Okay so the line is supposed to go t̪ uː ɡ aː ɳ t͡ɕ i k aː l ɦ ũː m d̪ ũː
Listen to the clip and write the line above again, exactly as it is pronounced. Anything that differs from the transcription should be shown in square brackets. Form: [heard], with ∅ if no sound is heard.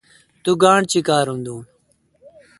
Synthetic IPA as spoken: t̪ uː ɡ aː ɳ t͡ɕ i k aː [ɾ] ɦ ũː [n] d̪ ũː